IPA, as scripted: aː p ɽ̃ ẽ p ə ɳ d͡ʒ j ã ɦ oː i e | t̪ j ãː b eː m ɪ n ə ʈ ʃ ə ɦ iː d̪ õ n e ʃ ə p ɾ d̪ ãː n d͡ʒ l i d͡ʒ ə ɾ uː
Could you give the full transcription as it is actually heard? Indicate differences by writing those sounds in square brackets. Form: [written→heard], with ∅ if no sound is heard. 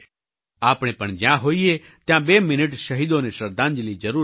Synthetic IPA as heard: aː p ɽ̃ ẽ p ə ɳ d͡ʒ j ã ɦ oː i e | t̪ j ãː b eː m ɪ n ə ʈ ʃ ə ɦ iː d̪ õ n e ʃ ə [p→∅] ɾ d̪ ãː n d͡ʒ l i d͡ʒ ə ɾ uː